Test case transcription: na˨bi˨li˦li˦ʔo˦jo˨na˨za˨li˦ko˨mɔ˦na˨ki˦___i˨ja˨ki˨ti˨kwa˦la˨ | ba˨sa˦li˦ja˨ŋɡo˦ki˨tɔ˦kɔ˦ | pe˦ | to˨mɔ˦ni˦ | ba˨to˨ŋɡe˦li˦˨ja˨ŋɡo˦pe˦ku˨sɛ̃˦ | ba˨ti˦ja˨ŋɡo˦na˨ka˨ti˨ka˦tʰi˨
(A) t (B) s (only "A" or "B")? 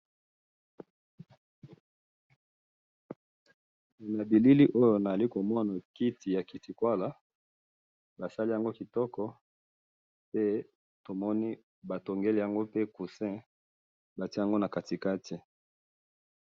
A